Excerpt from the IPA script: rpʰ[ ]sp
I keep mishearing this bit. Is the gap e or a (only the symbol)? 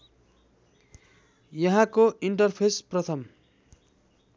e